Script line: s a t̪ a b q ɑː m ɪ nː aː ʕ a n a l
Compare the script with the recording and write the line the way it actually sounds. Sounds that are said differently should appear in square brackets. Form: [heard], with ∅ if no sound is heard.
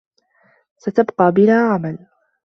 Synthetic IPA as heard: s a t̪ a b q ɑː [b] ɪ [n] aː ʕ a [m] a l